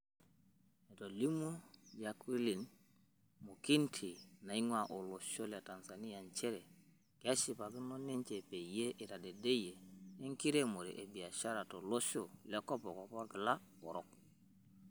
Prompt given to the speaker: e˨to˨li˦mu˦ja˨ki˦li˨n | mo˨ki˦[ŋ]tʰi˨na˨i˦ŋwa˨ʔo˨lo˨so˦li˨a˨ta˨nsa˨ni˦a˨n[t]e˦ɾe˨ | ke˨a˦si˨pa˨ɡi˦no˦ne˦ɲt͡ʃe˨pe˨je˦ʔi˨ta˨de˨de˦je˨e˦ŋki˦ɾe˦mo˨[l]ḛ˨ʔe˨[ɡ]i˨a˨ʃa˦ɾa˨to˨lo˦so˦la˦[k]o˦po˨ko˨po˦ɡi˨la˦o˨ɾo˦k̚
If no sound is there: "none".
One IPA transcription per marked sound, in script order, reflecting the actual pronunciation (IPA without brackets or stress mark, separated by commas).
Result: n, t͡ʃ, ɾ, b, k